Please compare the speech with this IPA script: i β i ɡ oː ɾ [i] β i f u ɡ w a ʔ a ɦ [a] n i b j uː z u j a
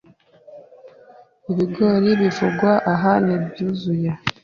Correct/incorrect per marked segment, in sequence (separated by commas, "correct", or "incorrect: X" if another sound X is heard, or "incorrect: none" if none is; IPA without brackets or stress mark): correct, correct